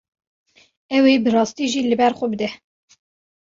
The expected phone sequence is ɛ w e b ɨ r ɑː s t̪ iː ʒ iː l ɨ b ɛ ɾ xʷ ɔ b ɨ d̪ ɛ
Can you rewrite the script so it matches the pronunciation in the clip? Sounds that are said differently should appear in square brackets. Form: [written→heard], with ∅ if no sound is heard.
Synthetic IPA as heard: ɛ w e b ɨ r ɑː s t̪ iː ʒ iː l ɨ b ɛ ɾ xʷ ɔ b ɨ d̪ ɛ